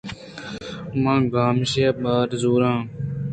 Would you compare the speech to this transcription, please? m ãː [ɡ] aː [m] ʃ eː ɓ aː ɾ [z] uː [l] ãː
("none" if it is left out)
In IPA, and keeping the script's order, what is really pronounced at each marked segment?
ɡ, m, z, ɾ

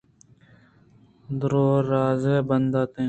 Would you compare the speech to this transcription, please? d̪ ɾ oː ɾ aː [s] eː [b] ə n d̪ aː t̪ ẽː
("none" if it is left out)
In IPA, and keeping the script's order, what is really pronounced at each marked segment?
z, b

